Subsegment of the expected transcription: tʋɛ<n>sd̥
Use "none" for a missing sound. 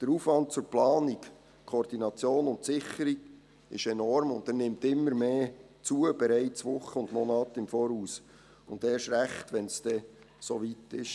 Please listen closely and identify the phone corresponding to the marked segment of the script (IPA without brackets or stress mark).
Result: n